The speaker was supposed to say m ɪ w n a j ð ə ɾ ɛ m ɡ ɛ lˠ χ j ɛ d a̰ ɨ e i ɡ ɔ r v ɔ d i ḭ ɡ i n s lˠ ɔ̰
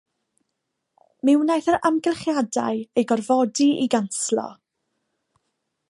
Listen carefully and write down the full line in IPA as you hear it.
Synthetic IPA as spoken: m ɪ w n a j θ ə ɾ a m ɡ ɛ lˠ χ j a d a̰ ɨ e j ɡ ɔ r v ɔ d i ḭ ɡ a n s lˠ ɔ̰